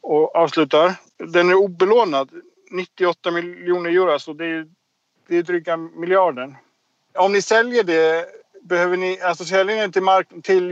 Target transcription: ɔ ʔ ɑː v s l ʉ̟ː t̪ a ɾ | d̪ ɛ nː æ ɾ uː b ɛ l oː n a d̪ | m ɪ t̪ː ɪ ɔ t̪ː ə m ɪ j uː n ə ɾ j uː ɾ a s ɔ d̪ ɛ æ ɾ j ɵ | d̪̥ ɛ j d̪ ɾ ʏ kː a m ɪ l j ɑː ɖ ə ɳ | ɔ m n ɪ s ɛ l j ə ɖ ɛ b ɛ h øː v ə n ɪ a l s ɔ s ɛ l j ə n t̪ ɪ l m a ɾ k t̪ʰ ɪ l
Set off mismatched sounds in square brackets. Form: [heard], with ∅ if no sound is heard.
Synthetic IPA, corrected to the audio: ɔ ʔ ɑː v s l ʉ̟ː t̪ a ɾ | d̪ ɛ [n] æ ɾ uː b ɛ l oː n a d̪ | [n] ɪ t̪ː ɪ ɔ t̪ː [a] m ɪ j uː n ə ɾ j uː ɾ a s ɔ d̪ ɛ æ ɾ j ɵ | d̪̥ ɛ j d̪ ɾ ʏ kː a m ɪ l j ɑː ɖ ə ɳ | ɔ m n ɪ s ɛ l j ə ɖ ɛ b ɛ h øː v ə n ɪ a l s ɔ s ɛ l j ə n t̪ ɪ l m a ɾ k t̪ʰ ɪ l